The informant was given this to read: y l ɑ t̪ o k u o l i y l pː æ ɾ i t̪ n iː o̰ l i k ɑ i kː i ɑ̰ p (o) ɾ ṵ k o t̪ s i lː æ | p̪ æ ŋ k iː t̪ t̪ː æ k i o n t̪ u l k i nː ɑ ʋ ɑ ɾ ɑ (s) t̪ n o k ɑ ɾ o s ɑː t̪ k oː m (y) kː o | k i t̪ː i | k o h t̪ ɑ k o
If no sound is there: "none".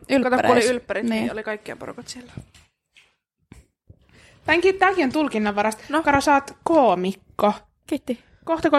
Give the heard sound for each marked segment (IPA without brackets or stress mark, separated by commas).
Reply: o, s, i